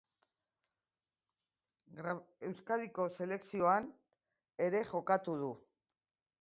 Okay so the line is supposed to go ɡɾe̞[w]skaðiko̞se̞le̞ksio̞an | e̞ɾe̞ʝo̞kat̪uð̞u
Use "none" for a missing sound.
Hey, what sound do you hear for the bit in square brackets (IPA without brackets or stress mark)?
w